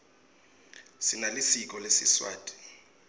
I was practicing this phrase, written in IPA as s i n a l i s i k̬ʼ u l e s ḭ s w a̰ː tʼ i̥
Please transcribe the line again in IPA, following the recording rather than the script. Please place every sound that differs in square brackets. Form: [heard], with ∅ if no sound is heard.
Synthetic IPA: s i n a l i s i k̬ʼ [ɔ] l e s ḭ s w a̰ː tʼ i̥